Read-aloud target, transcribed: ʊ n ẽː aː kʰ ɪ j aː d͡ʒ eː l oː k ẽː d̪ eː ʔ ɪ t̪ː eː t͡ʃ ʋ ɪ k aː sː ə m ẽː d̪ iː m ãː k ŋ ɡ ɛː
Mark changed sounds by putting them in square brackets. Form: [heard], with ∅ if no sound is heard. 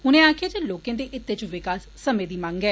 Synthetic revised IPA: ʊ n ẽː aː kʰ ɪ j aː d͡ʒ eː l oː k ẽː d̪ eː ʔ ɪ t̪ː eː t͡ʃ ʋ ɪ k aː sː ə m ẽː d̪ iː m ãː [∅] ŋ ɡ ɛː